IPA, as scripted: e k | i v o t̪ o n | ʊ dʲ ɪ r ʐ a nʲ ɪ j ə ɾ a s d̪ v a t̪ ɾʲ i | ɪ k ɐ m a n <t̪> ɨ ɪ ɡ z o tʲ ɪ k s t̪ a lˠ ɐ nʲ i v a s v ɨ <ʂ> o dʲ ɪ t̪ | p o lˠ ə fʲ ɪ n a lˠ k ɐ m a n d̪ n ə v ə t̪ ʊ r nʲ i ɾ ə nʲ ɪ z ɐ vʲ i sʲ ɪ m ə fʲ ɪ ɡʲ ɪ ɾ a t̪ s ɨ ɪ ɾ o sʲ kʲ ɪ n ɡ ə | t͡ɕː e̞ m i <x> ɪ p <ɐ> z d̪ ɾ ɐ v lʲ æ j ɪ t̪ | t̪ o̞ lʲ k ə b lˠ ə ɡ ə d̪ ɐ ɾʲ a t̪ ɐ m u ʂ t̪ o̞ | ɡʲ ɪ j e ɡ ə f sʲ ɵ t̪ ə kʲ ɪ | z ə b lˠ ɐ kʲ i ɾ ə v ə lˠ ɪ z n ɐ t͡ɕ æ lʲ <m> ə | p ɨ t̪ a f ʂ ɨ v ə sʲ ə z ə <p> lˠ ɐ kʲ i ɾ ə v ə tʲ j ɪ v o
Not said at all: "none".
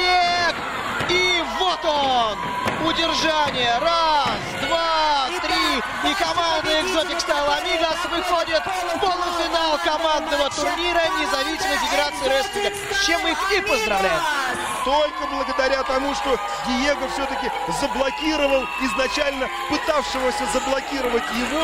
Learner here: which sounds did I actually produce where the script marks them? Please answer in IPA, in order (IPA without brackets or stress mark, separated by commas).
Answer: d̪, x, x, ə, n, b